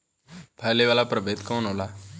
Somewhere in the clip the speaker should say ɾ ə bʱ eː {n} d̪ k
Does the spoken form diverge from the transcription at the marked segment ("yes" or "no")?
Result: yes